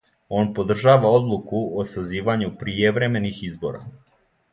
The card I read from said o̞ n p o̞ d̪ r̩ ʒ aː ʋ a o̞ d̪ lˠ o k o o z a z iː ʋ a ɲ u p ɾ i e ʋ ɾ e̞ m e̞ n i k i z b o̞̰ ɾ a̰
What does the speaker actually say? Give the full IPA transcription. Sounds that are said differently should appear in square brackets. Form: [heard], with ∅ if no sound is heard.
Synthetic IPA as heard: o̞ n p o̞ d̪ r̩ ʒ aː ʋ a o̞ d̪ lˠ [u] k [u] o [s] a z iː ʋ a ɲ u p ɾ i e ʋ ɾ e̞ m e̞ n i [x] i z b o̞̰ ɾ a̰